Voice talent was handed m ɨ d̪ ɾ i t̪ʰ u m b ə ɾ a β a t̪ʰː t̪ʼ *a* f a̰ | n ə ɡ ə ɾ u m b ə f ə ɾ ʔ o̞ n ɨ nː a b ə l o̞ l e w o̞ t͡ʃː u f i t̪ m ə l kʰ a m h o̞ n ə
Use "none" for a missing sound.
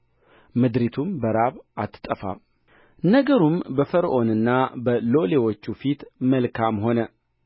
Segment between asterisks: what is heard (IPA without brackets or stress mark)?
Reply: ə